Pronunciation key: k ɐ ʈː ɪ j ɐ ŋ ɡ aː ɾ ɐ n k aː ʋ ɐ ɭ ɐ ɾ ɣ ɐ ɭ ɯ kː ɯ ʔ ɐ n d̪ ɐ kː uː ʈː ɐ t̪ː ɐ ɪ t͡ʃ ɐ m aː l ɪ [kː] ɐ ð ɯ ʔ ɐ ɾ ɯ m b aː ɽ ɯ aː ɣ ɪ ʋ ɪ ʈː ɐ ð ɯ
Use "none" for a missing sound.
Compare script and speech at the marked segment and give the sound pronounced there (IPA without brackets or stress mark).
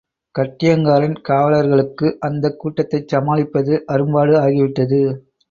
pː